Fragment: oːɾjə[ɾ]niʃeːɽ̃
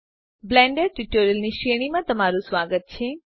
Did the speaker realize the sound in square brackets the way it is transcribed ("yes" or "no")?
no